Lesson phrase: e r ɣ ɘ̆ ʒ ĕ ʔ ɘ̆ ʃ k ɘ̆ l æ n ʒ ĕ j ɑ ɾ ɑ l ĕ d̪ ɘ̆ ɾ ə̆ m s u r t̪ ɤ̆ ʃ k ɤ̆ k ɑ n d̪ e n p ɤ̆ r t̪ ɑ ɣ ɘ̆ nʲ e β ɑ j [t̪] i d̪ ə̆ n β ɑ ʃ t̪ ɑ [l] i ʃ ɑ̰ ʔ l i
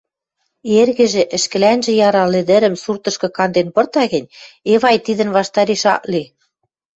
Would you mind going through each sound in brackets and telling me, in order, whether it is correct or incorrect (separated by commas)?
correct, incorrect